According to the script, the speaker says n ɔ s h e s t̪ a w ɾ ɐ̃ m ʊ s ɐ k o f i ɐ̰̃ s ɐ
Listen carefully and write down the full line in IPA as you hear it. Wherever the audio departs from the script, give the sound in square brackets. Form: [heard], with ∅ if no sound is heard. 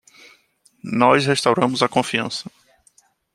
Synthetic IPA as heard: n ɔ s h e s t̪ a w ɾ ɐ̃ m ʊ [z] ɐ k [õ] f i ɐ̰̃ s ɐ